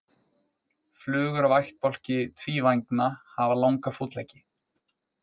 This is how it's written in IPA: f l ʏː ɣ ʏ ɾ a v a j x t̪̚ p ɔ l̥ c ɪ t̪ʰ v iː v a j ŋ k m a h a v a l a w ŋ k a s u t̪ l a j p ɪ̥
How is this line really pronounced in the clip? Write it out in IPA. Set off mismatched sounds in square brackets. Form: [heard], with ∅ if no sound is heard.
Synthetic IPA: f l ʏː ɣ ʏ ɾ a v a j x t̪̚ p ɔ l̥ c ɪ t̪ʰ v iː v a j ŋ k [n] a h a v a l a w ŋ k a [f] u t̪ l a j [c] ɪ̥